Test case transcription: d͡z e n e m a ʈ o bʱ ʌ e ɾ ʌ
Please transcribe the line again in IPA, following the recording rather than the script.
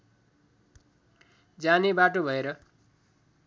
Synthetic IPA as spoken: d͡z a n e b a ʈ o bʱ ʌ e ɾ ʌ